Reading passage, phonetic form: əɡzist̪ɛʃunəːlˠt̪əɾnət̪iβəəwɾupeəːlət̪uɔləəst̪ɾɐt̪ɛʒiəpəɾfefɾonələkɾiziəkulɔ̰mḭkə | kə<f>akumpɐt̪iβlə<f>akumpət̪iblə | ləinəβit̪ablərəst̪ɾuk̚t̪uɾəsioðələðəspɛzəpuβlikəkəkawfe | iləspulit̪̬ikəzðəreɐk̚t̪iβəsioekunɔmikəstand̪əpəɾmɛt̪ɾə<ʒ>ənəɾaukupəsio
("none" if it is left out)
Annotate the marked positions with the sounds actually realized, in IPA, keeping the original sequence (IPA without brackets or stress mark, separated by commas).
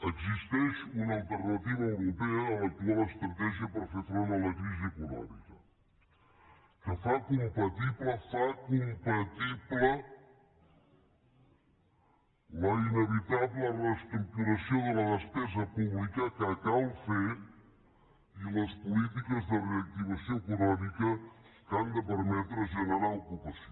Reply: f, f, ʒ